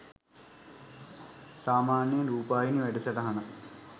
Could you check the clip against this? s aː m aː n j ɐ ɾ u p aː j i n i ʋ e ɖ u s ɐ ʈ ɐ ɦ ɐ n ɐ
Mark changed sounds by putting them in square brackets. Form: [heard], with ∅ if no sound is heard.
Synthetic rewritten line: s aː m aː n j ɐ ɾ [uː] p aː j i n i ʋ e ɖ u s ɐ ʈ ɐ ɦ ɐ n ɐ